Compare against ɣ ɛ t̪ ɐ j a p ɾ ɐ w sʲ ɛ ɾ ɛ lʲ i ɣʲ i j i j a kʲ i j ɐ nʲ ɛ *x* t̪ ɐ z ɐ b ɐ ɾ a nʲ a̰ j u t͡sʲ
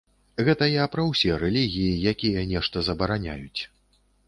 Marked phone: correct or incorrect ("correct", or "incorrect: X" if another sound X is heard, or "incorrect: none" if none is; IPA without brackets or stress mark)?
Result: incorrect: ʂ